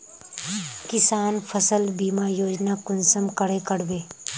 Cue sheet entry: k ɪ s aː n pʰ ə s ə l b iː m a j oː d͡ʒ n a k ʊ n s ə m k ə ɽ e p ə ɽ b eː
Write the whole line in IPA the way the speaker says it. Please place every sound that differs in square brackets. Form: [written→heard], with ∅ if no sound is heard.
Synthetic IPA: k ɪ s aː n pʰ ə s ə l b iː m a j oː d͡ʒ n a k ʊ n s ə m k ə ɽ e [p→k] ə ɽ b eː